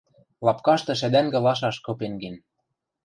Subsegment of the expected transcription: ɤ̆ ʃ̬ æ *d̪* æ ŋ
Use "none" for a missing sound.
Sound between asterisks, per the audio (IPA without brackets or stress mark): d̪